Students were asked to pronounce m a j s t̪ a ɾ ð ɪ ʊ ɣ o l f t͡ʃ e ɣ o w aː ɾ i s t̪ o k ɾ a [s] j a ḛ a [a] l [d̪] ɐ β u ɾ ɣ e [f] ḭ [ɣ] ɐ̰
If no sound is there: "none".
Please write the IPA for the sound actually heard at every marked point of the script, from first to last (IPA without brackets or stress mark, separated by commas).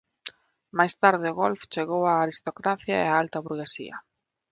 θ, a, t̪, s, none